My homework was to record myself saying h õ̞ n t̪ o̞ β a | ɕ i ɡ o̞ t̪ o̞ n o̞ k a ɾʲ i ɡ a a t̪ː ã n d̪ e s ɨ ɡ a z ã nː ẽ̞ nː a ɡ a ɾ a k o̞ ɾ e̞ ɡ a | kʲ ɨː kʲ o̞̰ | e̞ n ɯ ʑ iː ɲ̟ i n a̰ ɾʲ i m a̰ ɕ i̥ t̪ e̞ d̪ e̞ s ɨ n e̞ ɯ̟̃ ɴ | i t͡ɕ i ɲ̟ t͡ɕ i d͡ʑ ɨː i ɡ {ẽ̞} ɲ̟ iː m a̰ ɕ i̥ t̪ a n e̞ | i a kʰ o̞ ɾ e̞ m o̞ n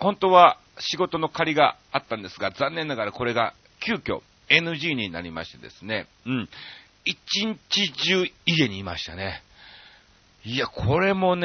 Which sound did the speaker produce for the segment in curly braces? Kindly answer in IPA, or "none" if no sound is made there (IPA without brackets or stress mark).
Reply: e̞